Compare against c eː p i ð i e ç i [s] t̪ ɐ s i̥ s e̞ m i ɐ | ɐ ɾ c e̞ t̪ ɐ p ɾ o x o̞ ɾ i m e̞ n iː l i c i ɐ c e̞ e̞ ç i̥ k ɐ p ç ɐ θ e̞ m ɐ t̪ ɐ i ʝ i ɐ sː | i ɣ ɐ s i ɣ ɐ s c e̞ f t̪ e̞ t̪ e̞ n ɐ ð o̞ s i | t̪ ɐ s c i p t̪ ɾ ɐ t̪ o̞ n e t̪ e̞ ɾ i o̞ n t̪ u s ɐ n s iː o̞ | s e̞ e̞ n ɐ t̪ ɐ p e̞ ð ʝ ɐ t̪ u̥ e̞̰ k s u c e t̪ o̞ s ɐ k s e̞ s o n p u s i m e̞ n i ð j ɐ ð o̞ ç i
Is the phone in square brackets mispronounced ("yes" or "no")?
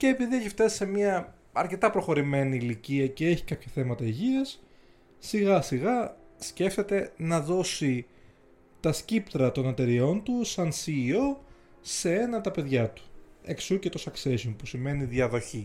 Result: yes